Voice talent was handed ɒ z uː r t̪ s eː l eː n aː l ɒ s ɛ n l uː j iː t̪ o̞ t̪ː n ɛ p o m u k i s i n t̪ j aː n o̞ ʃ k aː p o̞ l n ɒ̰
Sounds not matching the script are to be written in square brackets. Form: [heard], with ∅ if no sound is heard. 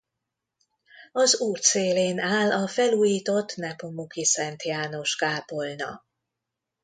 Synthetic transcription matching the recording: ɒ z uː r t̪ s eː l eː n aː l ɒ [f] ɛ [∅] l uː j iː t̪ o̞ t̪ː n ɛ p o m u k i s [ɛ] n t̪ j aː n o̞ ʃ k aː p o̞ l n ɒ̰